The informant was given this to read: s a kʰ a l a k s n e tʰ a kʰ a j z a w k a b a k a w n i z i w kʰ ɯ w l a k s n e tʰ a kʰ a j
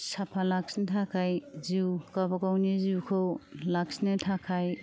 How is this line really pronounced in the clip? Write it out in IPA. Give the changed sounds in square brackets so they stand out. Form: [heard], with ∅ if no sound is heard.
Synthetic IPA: s a [pʰ] a l a k s n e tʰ a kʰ a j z [i] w k a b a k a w n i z i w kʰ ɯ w l a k s n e tʰ a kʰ a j